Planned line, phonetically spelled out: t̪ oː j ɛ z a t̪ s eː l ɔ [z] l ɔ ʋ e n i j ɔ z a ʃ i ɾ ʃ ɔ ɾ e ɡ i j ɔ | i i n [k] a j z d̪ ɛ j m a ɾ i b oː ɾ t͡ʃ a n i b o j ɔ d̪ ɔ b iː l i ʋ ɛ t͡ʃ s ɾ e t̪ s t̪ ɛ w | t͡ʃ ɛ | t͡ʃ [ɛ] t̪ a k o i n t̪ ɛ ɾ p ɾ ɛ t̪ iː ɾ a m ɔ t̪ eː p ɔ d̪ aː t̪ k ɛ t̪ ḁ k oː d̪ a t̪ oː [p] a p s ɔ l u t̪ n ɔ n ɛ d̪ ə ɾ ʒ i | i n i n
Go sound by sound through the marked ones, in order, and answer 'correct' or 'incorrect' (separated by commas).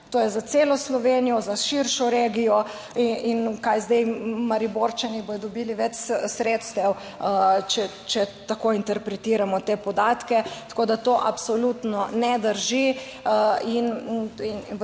incorrect, correct, correct, incorrect